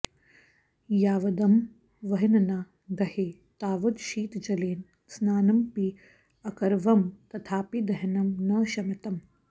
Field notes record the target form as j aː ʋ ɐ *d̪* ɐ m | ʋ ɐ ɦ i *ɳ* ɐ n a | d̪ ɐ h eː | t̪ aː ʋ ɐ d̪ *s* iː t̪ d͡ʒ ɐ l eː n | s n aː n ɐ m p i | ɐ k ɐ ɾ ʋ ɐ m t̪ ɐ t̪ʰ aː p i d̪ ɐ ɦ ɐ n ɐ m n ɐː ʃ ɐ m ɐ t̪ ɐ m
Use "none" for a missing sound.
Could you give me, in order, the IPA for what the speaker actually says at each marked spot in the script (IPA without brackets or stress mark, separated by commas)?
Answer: d̪, n, ʃ